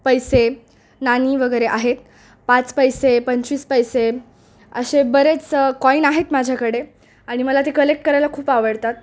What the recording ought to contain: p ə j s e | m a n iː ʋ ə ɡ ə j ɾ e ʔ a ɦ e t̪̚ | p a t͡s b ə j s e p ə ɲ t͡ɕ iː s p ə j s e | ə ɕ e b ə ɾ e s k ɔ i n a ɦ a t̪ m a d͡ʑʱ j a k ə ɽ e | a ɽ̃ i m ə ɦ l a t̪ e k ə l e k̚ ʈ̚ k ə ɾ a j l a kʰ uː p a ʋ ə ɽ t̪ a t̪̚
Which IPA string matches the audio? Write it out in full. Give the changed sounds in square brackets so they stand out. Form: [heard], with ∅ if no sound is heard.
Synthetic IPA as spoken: p ə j s e | [n] a n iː ʋ ə ɡ ə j ɾ e ʔ a ɦ e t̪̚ | p a t͡s [p] ə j s e p ə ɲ t͡ɕ iː s p ə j s e | ə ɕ e b ə ɾ e [t͡s] k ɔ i n a ɦ [e] t̪ m a d͡ʑʱ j a k ə ɽ e | a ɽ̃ i m ə [∅] l a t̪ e k ə l e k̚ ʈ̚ k ə ɾ a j l a kʰ uː p a ʋ ə ɽ t̪ a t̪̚